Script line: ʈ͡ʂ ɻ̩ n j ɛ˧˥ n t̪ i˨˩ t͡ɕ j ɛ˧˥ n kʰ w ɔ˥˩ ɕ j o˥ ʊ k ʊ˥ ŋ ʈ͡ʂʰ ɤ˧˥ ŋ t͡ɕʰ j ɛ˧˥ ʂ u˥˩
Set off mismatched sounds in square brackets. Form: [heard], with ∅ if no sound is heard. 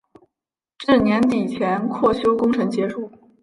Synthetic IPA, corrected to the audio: ʈ͡ʂ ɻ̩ n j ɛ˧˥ n t̪ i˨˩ [t͡ɕʰ] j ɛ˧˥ n kʰ w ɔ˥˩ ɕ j o˥ ʊ k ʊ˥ ŋ ʈ͡ʂʰ ɤ˧˥ ŋ [t͡ɕ] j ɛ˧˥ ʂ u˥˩